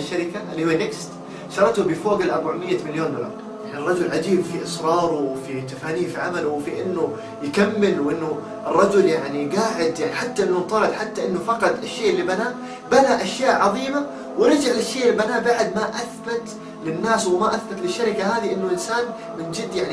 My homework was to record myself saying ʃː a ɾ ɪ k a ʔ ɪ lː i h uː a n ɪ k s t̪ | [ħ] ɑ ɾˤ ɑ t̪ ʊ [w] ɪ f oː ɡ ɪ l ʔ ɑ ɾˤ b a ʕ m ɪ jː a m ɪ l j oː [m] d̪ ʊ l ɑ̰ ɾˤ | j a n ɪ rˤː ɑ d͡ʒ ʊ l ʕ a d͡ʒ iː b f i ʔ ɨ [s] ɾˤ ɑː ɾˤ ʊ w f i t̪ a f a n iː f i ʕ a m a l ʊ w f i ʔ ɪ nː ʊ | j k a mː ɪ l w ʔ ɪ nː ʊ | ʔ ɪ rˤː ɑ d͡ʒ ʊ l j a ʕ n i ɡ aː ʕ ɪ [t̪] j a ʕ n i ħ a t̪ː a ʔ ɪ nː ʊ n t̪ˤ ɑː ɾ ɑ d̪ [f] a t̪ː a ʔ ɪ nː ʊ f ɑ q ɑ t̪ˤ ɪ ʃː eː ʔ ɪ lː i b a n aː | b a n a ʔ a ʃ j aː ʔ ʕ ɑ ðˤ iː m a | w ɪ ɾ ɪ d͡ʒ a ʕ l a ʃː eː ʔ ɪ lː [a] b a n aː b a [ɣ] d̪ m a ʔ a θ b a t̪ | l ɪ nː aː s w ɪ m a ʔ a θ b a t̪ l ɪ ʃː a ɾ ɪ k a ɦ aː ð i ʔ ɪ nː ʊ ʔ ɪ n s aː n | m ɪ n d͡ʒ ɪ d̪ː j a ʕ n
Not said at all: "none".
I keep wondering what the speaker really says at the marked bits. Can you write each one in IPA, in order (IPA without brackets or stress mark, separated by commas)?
ʃ, b, n, s, d̪, ħ, i, ʕ